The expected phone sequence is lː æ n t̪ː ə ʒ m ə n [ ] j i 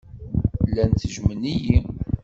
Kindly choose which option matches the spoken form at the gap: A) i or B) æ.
A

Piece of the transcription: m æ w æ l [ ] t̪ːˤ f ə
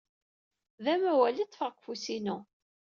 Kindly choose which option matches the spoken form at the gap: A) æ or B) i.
B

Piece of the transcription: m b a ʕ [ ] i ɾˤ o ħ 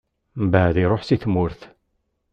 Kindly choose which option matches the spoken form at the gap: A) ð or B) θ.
A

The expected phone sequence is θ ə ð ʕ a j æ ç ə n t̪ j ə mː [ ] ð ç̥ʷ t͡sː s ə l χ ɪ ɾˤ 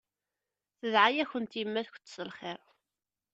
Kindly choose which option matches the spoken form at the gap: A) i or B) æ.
B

